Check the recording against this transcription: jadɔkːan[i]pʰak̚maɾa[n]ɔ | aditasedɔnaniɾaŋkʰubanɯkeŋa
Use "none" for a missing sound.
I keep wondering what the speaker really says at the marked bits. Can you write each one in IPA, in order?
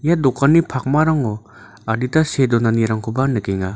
i, ŋ

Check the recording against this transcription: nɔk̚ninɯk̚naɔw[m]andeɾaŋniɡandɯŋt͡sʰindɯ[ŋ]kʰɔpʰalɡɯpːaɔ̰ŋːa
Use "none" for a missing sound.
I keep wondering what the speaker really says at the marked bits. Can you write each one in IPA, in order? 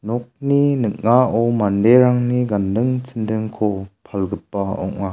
m, ŋ

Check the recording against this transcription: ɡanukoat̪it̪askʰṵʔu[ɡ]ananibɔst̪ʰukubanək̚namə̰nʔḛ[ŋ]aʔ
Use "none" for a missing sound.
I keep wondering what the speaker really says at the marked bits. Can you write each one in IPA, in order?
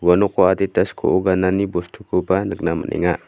ɡ, ŋ

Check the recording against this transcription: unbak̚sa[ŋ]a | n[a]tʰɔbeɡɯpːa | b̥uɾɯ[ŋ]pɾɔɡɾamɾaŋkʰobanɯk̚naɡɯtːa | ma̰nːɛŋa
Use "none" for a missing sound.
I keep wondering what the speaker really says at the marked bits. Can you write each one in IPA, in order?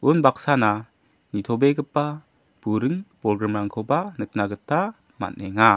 n, i, ŋ

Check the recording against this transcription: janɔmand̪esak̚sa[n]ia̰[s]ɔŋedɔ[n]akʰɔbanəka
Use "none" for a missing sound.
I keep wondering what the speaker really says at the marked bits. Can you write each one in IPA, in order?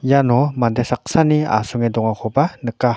n, s, ŋ

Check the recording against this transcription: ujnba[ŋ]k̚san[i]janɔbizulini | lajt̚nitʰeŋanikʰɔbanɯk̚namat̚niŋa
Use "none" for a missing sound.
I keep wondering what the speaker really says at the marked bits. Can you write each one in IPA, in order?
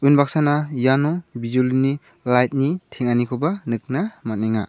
none, a

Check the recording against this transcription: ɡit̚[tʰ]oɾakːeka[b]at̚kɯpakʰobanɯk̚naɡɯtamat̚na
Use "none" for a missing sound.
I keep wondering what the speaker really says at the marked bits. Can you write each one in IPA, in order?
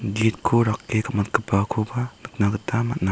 kʰ, m

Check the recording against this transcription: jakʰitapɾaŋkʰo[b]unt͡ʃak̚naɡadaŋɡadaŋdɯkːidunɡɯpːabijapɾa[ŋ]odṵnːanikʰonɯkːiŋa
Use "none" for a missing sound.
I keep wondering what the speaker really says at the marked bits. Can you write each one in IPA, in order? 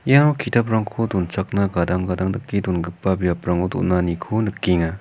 d, ŋ

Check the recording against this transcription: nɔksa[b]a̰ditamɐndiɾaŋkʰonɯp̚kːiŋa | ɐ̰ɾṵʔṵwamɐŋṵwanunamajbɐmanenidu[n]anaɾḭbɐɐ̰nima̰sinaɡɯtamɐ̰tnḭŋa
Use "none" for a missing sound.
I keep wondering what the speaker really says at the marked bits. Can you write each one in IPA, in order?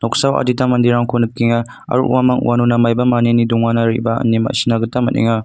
w, ŋ

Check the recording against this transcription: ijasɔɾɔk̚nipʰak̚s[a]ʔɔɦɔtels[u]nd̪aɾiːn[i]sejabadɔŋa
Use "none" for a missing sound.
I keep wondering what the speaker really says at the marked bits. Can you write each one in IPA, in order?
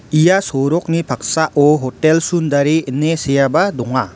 a, u, e

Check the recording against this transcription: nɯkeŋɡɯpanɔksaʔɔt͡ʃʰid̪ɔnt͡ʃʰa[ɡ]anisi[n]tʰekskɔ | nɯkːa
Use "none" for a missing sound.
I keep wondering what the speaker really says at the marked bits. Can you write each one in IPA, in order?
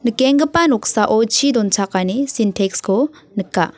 k, n

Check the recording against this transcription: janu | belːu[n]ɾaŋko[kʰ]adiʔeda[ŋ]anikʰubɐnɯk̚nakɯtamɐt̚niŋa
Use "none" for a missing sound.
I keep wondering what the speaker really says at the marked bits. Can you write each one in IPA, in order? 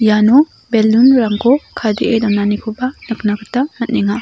n, kʰ, n

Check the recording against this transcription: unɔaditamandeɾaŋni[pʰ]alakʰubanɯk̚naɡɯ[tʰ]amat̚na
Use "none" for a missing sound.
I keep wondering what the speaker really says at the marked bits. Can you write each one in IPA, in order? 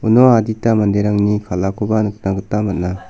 kʰ, t

